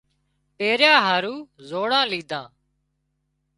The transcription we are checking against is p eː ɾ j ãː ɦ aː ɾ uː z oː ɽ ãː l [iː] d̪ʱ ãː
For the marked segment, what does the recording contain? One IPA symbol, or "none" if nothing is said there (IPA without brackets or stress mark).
iː